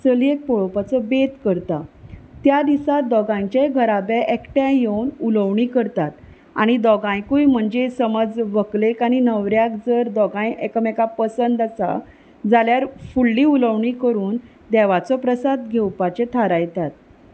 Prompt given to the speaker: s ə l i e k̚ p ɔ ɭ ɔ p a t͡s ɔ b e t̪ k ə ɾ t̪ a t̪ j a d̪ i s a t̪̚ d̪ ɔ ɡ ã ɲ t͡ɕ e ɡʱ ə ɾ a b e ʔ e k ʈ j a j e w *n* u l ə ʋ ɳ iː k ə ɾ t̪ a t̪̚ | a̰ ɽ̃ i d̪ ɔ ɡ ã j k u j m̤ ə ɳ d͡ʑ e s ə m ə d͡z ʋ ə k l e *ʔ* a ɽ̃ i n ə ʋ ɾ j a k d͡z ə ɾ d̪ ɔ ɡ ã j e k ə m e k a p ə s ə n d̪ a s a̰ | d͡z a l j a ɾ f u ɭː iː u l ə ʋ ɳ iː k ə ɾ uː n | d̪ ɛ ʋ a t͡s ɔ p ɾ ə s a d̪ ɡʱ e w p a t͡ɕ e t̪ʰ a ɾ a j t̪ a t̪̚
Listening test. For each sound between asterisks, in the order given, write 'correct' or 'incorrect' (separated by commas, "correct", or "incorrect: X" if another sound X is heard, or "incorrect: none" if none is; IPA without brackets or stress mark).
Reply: correct, incorrect: k